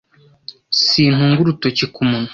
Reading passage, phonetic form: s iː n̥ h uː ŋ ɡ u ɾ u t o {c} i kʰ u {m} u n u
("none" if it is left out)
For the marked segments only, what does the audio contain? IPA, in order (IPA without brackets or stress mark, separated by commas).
c, m